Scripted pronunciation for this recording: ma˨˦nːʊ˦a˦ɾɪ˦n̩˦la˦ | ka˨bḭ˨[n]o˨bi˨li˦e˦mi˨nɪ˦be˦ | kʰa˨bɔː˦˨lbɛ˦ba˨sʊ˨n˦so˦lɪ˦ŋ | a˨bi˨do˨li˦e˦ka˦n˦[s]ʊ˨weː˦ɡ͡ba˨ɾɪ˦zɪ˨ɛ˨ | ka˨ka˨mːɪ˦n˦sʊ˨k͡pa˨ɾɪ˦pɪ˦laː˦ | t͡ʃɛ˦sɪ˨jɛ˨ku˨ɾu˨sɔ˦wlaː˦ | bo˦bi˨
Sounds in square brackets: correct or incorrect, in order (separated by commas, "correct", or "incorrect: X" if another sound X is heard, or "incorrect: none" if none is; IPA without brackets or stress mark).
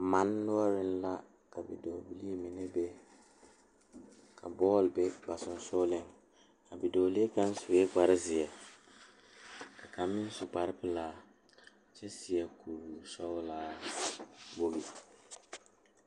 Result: incorrect: d, correct